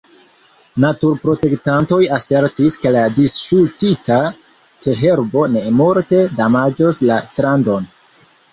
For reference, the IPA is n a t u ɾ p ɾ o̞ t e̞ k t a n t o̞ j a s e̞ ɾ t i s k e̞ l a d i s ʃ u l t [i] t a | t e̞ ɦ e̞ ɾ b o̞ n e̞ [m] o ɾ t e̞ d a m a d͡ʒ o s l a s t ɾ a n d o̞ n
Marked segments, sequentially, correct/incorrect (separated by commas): correct, correct